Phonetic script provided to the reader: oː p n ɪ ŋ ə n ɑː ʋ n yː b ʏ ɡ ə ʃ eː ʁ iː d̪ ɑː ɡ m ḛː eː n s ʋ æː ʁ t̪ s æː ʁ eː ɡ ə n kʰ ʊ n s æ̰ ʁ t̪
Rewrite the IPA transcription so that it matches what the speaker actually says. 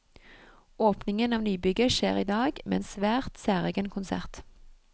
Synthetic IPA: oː p n ɪ ŋ ə n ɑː ʋ n yː b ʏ ɡ ə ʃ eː ʁ iː d̪ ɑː ɡ m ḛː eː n s ʋ æː ʁ t̪ s æː ʁ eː ɡ ə n kʰ ʊ n s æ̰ ʁ t̪